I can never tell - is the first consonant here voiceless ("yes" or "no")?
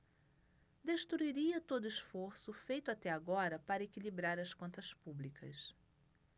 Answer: no